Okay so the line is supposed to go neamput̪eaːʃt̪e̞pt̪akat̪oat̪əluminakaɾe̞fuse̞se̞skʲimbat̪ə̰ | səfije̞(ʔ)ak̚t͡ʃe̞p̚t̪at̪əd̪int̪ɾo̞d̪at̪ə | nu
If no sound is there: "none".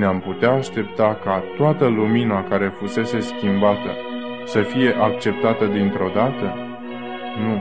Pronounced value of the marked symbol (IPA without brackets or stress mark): ʔ